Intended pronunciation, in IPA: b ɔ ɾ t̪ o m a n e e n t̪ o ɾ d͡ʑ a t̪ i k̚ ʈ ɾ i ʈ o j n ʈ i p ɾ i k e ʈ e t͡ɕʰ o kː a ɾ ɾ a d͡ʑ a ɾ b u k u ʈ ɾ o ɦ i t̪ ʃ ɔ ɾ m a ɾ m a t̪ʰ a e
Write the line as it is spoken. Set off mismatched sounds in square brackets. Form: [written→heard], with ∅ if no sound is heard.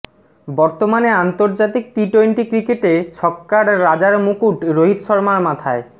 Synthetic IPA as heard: b ɔ ɾ t̪ o m a n e [e→a] n t̪ o ɾ d͡ʑ a t̪ i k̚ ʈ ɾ i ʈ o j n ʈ i [p→k] ɾ i k e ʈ e t͡ɕʰ [o→ɔ] kː a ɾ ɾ a d͡ʑ a ɾ [b→m] u k u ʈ ɾ o ɦ i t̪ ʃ ɔ ɾ m a ɾ m a t̪ʰ a e